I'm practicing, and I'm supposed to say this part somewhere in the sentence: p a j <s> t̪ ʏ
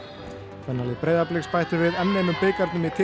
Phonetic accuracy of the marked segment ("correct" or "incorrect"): incorrect